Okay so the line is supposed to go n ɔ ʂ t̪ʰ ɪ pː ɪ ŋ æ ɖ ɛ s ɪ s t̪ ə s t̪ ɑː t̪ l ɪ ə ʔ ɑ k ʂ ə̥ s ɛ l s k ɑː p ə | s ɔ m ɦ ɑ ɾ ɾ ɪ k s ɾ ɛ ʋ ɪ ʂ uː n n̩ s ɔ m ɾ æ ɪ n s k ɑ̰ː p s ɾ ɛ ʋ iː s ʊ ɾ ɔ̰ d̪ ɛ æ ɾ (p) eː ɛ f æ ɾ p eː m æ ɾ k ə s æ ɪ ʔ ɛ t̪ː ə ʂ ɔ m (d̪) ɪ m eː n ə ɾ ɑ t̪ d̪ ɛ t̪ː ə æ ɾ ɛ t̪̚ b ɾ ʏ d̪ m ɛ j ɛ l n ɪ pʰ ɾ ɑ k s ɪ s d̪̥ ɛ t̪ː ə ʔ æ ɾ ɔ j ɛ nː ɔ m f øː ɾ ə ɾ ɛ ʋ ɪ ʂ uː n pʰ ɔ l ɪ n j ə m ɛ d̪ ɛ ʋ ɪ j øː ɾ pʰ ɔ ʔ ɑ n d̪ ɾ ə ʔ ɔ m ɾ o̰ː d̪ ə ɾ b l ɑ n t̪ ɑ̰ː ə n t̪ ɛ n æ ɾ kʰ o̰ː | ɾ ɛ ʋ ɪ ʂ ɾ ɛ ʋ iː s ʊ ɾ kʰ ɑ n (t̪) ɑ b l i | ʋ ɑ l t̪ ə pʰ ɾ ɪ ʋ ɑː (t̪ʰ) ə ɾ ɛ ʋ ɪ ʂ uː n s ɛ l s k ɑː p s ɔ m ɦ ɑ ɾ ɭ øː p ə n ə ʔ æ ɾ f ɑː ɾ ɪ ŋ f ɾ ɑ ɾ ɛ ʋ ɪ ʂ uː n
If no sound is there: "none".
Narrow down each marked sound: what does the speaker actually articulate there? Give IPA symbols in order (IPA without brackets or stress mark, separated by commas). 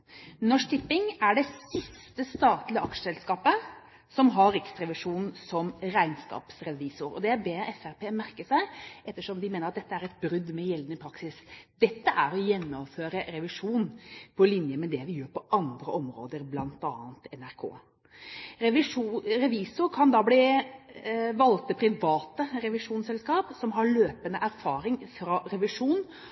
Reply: b, d̪, d̪, t̪